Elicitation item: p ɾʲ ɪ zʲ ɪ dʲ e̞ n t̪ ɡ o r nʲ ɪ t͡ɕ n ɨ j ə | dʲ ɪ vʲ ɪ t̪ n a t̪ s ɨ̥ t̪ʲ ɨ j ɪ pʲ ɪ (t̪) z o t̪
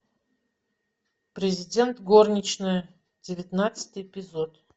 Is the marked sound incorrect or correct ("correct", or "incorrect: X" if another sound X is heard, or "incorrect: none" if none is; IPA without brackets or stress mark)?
incorrect: none